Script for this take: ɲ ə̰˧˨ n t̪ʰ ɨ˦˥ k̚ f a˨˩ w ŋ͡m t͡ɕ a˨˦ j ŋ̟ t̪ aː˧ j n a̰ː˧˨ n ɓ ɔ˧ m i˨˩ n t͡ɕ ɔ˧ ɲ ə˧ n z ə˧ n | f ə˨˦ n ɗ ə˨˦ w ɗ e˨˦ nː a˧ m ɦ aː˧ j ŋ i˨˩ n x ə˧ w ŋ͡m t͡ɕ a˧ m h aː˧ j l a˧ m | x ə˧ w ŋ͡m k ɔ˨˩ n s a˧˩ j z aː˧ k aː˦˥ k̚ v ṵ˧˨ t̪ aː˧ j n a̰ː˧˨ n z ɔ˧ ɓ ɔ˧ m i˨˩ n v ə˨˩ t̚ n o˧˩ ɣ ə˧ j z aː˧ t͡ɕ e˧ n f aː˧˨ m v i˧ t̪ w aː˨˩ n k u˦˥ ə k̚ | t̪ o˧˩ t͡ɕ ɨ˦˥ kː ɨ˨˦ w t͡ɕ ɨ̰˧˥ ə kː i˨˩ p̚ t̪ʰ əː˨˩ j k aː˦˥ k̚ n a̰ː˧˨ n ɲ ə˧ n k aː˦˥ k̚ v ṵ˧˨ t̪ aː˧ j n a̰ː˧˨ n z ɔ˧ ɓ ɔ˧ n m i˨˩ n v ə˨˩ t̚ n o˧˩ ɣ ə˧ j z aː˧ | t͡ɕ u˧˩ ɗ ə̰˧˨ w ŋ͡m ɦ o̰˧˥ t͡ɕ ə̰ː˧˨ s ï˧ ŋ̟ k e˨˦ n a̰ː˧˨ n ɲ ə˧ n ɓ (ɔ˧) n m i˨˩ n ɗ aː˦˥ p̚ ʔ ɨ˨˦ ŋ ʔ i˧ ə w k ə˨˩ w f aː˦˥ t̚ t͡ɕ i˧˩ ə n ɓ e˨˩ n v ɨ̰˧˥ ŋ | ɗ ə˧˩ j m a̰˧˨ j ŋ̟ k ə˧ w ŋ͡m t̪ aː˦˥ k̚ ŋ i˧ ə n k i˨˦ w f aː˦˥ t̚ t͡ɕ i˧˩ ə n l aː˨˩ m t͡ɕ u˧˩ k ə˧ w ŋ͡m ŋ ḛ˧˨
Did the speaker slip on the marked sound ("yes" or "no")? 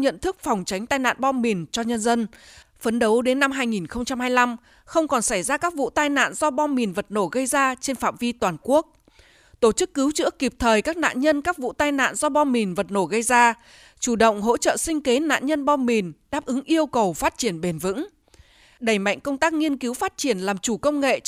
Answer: no